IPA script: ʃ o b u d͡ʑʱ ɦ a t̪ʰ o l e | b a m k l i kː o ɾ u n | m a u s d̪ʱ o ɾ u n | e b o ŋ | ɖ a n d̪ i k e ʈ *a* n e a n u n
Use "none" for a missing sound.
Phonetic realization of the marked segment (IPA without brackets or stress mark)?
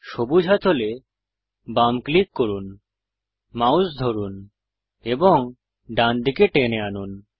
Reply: e